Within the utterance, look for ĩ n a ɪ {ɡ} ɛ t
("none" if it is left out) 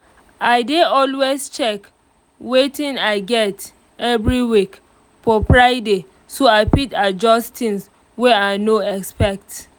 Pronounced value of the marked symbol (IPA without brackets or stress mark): ɡ